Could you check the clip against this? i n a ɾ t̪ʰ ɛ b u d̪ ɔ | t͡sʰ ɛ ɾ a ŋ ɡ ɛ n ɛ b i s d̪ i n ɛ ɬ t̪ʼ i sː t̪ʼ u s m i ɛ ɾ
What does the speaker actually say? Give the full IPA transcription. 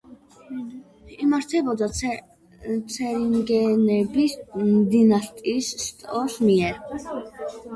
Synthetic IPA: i m a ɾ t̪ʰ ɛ b ɔ d̪ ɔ | t͡sʰ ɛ ɾ i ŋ ɡ ɛ n ɛ b i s d̪ i n a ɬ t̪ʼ i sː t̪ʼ ɔ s m i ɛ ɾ